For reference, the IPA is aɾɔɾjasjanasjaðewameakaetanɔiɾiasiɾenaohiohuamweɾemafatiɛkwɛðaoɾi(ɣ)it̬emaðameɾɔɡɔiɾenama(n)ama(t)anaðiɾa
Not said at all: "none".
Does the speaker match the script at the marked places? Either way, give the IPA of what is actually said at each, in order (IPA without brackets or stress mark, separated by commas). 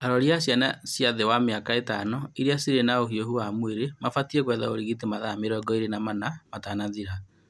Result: ɣ, n, t